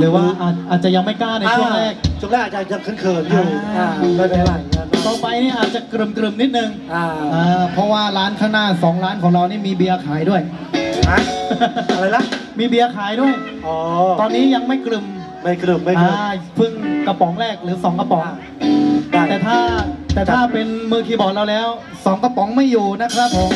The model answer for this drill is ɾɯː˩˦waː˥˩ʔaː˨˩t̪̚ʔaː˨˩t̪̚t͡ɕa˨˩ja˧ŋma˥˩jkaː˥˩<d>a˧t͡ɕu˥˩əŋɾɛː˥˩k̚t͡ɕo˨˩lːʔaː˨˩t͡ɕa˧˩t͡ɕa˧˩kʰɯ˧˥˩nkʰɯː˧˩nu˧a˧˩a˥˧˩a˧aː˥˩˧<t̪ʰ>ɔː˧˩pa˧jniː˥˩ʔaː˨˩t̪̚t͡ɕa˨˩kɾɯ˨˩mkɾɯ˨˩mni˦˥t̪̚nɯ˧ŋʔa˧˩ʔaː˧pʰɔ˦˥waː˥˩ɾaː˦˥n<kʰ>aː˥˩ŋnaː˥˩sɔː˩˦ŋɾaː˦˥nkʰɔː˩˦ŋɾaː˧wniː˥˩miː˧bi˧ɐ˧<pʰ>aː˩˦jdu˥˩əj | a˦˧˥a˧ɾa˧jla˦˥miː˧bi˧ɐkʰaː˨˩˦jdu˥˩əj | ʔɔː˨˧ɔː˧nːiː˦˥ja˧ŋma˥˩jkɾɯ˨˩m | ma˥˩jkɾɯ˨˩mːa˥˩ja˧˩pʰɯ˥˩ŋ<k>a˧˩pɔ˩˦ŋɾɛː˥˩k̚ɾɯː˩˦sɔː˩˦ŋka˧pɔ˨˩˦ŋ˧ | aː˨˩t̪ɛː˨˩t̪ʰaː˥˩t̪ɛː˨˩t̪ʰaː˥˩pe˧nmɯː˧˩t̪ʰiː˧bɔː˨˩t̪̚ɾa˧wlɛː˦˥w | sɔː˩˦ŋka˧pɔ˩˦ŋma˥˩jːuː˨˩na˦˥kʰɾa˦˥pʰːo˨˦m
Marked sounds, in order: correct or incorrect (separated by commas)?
incorrect, incorrect, correct, incorrect, correct